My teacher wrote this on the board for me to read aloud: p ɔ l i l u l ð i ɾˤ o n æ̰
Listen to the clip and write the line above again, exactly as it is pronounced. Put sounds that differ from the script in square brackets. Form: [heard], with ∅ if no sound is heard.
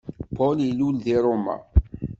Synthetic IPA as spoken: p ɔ l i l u l ð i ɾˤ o [m] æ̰